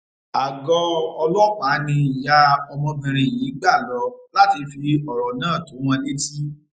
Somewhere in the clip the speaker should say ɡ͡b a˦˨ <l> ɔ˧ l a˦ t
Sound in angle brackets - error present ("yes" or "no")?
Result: no